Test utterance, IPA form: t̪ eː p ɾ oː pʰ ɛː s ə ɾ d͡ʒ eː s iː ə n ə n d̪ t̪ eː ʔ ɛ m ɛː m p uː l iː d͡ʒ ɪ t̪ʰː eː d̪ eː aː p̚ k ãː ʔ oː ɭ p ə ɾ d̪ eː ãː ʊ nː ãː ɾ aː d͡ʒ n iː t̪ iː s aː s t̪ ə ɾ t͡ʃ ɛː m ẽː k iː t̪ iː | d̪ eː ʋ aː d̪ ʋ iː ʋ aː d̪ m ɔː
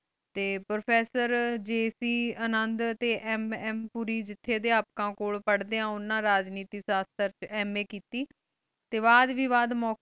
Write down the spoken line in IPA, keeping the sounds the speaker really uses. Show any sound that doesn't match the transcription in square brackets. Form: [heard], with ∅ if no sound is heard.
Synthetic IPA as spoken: t̪ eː p ɾ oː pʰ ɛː s ə ɾ d͡ʒ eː s iː ə n ə n d̪ t̪ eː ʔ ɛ m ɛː m p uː [ɾ] iː d͡ʒ ɪ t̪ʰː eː d̪ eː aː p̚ k ãː [k] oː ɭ p ə [ɽ] d̪ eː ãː ʊ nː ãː ɾ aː d͡ʒ n iː t̪ iː s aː s t̪ ə ɾ t͡ʃ ɛː m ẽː k iː t̪ iː | [t̪] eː ʋ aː d̪ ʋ iː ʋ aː d̪ m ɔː